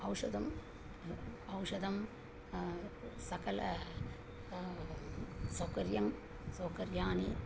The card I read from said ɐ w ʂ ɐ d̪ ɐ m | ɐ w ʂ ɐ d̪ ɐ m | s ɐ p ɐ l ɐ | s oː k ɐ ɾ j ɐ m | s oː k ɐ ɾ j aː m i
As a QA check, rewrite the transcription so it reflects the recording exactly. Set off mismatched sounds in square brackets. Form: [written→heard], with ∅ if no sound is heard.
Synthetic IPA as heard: ɐ w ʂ ɐ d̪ ɐ m | ɐ w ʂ ɐ d̪ ɐ m | s ɐ [p→k] ɐ l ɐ | s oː k ɐ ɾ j ɐ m | s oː k ɐ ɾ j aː [m→n] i